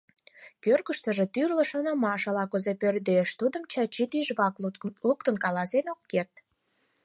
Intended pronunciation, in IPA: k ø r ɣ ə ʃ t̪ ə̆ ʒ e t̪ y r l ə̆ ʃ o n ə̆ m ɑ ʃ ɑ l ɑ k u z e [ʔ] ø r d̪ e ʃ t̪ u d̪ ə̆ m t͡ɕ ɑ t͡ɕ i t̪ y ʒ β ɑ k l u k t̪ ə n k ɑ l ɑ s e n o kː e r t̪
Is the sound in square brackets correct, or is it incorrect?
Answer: incorrect: p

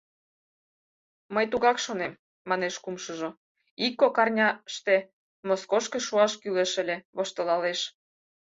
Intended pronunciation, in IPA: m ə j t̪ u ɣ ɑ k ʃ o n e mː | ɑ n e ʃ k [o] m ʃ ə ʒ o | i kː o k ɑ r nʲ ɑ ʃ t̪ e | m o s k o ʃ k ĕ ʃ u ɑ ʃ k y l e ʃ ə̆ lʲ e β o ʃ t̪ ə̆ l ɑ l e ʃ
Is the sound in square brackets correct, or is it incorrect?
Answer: incorrect: u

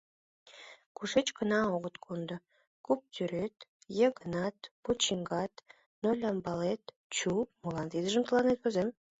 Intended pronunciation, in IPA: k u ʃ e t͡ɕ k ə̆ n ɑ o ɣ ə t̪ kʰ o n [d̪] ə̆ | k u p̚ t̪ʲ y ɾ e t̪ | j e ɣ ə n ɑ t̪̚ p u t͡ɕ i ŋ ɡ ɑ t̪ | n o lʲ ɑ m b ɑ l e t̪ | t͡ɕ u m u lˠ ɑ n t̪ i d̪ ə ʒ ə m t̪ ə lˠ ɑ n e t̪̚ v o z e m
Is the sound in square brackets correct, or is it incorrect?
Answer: correct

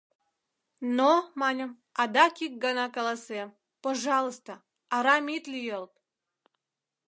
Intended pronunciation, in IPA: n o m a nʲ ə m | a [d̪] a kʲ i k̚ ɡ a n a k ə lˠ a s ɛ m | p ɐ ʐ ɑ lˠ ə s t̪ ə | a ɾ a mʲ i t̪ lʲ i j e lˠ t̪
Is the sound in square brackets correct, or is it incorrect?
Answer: correct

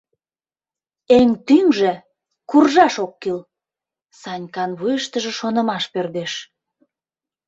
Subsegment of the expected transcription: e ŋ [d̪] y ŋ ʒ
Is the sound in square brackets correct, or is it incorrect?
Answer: incorrect: t̪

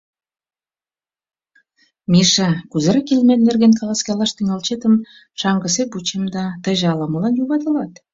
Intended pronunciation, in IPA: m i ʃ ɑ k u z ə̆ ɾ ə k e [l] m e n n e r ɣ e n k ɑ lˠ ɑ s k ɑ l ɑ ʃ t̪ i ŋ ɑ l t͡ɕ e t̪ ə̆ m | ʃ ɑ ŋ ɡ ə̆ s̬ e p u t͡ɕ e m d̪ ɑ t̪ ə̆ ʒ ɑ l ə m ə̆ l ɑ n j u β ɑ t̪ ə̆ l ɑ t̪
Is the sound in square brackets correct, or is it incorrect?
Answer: correct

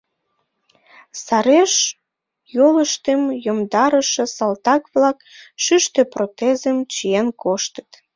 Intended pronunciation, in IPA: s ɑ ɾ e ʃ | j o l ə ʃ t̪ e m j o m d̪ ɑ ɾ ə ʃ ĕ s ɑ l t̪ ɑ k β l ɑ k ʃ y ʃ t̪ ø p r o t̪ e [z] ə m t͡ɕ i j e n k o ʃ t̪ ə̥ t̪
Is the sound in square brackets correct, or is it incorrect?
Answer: correct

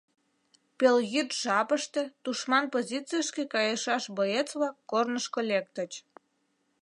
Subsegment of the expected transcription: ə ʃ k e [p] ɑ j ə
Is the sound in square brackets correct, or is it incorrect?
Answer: incorrect: k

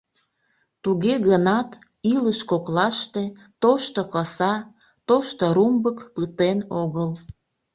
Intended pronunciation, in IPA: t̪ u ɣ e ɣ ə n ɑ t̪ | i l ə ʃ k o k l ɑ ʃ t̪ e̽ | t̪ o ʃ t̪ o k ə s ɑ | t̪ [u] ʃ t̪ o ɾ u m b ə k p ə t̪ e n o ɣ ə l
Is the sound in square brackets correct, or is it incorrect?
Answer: incorrect: o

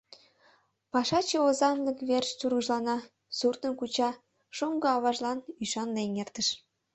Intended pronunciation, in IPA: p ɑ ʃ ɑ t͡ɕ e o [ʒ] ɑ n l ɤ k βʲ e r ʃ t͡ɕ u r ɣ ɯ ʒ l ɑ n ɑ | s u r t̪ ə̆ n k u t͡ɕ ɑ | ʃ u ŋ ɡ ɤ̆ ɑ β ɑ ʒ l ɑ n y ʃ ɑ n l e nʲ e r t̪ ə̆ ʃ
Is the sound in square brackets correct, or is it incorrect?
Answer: incorrect: z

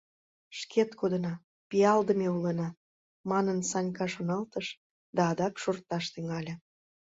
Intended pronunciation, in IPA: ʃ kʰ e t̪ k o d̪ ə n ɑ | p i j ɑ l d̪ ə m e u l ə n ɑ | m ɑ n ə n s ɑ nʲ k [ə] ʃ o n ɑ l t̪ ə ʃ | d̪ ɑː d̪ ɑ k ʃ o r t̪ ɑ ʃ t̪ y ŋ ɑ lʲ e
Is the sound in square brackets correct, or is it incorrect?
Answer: incorrect: ɑ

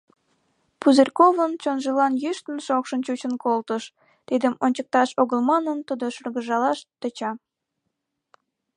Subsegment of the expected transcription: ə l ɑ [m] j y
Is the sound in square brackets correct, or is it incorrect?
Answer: incorrect: n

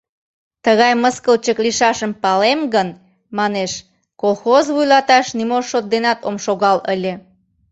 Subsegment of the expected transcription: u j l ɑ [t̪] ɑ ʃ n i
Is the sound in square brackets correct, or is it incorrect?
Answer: correct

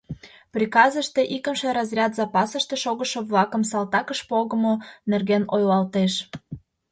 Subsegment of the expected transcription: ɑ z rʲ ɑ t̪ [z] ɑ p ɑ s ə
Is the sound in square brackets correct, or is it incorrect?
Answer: correct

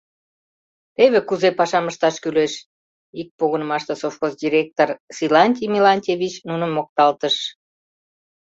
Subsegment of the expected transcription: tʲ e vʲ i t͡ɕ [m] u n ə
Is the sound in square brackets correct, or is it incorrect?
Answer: incorrect: n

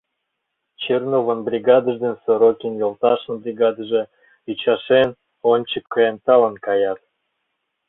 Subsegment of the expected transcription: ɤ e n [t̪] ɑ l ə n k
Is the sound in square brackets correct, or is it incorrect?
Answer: correct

